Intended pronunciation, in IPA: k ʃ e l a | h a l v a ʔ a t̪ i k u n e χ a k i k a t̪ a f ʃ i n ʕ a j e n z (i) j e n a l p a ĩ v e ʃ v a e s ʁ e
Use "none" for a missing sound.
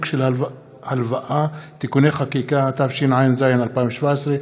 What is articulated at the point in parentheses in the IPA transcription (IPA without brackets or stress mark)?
a